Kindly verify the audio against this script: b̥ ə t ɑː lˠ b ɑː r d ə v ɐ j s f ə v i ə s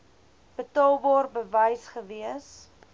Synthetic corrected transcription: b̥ ə t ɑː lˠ b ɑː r b ə v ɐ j s χ ə v i ə s